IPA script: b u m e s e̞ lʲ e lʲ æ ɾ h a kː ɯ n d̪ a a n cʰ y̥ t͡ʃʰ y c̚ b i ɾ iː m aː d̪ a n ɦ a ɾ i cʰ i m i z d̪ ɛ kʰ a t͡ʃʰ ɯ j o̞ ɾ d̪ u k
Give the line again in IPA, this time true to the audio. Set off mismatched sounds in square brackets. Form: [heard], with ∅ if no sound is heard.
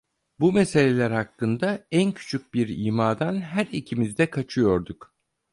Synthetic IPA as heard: b u m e s e̞ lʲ e lʲ æ ɾ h a kː ɯ n d̪ a [æ] n cʰ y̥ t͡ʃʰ y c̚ b i ɾ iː m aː d̪ a n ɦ [æ] ɾ i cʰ i m i z d̪ ɛ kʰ a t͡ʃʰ ɯ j o̞ ɾ d̪ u k